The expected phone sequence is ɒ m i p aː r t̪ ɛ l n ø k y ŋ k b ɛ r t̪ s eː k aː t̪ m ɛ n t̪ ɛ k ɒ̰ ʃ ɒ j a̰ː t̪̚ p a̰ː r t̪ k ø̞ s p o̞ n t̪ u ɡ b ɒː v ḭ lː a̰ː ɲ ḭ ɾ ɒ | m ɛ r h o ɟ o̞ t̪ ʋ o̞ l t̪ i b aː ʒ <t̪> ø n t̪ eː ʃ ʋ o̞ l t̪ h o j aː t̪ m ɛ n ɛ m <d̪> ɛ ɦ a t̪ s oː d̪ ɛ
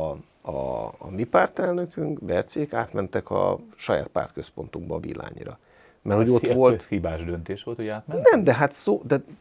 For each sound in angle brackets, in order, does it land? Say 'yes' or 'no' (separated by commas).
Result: no, yes